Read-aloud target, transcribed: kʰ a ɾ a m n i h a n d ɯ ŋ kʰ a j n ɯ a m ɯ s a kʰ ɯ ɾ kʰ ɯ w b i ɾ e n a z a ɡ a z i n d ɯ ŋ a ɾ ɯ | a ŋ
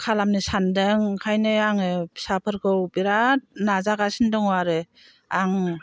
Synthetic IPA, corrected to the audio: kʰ a l a m n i s a n d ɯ ŋ kʰ a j n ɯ a ŋ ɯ s a pʰ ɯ ɾ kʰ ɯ w b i ɾ a n a z a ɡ a s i n d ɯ ŋ a ɾ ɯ | a ŋ